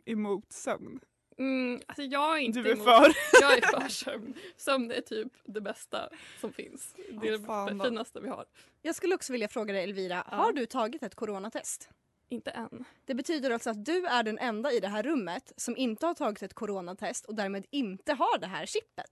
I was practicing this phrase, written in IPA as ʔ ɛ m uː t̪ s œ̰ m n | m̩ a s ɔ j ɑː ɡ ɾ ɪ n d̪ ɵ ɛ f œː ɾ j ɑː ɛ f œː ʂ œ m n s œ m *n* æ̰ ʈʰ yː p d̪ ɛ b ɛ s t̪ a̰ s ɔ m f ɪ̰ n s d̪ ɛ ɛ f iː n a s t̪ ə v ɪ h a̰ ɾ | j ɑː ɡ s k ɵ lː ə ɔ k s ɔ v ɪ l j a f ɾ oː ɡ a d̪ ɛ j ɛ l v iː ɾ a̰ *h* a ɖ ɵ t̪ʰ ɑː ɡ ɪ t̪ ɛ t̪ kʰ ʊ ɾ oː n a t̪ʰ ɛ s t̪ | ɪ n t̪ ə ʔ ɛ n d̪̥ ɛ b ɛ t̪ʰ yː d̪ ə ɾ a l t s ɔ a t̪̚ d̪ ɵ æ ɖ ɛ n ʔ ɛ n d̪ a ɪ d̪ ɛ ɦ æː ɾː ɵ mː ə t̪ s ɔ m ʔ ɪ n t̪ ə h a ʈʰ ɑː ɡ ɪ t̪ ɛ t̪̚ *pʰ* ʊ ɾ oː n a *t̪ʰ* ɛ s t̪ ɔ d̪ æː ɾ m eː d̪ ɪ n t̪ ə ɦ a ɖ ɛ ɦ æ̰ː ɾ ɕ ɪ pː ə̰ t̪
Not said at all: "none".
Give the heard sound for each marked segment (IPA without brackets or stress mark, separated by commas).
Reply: n, h, kʰ, t̪ʰ